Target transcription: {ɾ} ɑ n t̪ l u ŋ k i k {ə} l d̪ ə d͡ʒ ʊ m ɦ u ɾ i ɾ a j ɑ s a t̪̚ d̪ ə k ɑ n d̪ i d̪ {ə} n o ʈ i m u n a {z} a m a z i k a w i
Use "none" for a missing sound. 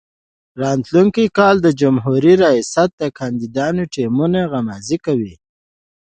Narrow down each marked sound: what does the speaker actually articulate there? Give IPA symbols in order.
ɾ, ɑ, ɑ, ɣ

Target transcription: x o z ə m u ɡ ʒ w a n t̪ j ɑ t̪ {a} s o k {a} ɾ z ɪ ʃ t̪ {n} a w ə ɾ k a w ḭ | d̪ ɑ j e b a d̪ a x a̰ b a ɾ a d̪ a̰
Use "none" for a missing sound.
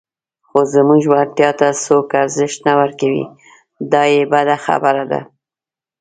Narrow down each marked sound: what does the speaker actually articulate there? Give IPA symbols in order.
a, a, n

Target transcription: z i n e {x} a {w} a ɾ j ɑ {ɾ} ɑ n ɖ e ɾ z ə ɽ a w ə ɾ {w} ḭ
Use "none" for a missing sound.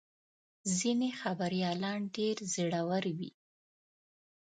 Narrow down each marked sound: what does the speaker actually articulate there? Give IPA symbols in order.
x, b, l, w

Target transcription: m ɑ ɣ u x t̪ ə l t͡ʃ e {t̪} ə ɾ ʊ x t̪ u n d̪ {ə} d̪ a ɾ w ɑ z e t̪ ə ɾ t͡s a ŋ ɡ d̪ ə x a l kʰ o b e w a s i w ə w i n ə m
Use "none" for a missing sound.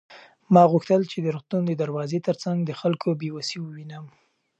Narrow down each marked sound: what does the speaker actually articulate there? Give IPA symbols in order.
d̪, ə

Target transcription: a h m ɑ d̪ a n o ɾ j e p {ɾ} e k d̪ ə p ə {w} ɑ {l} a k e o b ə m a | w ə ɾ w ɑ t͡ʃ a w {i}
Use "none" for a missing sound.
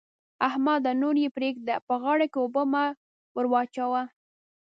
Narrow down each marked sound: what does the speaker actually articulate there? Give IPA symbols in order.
ɾ, ɣ, ɽ, a

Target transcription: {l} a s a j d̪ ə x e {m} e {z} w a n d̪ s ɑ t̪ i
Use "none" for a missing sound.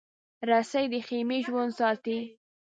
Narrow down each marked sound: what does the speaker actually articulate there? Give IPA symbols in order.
ɾ, m, ʒ

